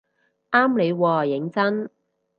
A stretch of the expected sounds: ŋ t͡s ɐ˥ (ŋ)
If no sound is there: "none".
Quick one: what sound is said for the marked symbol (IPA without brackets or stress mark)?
n